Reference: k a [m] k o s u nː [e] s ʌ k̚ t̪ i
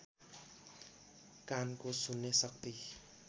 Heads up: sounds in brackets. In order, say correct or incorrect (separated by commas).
incorrect, correct